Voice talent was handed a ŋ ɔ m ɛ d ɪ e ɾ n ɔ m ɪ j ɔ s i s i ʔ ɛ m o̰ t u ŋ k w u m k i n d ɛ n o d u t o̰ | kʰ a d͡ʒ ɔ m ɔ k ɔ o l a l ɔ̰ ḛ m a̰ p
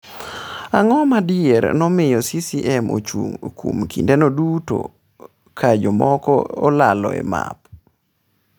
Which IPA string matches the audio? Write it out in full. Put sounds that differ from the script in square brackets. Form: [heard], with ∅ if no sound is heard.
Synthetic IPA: a ŋ ɔ m [a] d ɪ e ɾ n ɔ m ɪ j ɔ s i s i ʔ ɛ m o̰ [t͡ʃ] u ŋ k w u m k i n d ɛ n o d u t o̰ | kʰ a d͡ʒ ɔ m ɔ k ɔ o l a l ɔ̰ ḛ m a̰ p